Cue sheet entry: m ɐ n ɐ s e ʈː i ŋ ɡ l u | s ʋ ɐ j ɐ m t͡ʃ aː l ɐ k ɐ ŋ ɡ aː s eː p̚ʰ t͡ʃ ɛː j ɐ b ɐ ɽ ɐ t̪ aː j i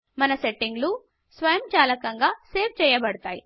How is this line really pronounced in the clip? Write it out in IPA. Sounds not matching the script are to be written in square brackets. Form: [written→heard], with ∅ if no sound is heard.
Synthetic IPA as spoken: m ɐ n ɐ s e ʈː i ŋ ɡ l u | s ʋ ɐ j ɐ m t͡ʃ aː l ɐ k ɐ ŋ ɡ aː s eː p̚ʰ t͡ʃ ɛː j ɐ b ɐ ɽ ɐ t̪ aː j i